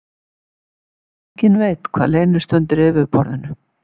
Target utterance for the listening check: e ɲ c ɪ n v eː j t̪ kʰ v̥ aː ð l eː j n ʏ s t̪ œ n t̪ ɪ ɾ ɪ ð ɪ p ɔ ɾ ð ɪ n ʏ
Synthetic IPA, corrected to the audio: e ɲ c ɪ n v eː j t̪ kʰ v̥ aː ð l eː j n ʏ s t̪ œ n t̪ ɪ ɾ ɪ v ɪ p ɔ ɾ ð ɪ n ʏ